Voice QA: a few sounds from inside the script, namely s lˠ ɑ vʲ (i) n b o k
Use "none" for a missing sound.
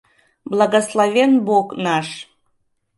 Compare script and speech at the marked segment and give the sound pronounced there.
e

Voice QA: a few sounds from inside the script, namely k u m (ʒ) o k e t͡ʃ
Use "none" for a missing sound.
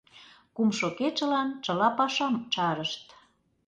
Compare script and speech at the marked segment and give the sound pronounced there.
ʃ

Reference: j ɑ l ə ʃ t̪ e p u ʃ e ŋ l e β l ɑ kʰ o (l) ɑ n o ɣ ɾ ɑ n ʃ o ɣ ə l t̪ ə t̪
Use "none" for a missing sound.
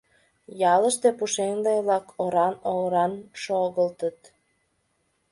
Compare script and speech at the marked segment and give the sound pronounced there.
ɾ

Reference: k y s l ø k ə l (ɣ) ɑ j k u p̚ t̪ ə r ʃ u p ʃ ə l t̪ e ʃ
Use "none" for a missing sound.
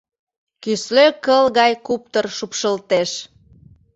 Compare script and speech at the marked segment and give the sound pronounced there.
ɣ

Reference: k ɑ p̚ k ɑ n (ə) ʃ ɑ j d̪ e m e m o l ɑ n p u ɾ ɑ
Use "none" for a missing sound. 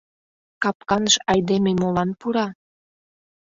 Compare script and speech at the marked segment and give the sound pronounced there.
ə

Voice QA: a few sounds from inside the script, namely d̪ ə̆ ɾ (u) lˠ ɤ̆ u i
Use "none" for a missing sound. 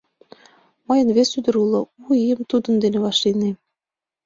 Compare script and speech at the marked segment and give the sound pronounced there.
u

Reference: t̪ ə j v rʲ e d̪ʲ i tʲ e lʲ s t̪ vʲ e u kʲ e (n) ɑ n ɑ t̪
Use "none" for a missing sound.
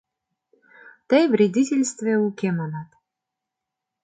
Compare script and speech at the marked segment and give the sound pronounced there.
m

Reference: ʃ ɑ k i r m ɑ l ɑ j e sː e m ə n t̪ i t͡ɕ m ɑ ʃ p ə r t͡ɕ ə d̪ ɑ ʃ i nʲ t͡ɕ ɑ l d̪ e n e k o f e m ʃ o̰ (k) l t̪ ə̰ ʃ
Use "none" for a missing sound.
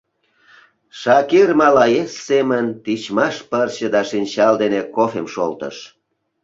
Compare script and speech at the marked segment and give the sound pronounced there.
none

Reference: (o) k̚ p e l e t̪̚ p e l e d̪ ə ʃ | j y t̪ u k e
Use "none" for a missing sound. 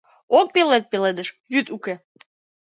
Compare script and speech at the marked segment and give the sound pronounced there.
o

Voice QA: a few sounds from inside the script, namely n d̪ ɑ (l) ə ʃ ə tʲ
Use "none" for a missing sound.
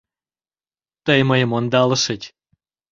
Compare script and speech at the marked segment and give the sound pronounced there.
l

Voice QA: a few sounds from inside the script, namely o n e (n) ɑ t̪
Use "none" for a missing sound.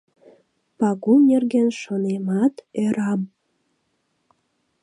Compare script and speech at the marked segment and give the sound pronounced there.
m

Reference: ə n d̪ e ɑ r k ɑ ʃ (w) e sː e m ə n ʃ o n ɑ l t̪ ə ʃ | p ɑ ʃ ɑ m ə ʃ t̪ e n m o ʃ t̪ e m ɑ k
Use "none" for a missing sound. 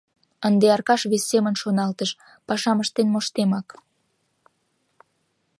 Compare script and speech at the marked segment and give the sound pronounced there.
β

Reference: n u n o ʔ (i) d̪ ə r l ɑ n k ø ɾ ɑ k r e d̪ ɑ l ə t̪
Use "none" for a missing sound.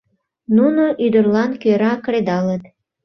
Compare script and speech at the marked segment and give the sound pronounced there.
y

